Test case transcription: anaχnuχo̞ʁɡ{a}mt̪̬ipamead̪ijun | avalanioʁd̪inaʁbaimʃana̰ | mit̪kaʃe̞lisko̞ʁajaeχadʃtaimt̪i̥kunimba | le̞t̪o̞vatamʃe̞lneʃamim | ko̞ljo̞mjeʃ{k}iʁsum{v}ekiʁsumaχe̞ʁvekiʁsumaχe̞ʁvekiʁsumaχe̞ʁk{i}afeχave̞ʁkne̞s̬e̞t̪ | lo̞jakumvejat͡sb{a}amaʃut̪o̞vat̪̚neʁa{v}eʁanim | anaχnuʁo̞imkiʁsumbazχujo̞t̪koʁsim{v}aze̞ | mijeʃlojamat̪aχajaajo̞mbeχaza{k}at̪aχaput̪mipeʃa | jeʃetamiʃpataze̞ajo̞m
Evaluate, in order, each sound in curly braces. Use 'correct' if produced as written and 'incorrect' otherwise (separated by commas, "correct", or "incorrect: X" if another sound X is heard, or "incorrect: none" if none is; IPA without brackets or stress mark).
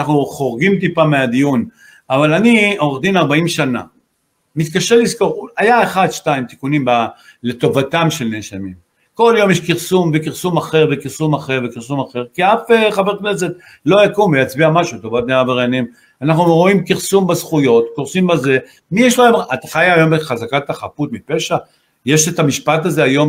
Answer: incorrect: i, correct, correct, correct, incorrect: i, correct, incorrect: b, correct